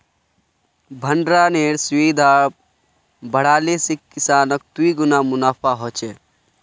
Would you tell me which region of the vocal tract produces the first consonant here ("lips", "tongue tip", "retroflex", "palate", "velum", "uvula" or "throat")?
lips